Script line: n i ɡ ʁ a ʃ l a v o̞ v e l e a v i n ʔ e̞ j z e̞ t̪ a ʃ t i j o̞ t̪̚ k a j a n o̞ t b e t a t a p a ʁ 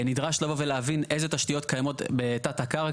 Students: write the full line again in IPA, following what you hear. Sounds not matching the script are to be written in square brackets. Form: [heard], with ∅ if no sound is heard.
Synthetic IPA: n i [d] ʁ a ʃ l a v o̞ v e l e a v i n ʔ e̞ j z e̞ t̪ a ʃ t i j o̞ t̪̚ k a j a [m] o̞ t b e t a t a [k] a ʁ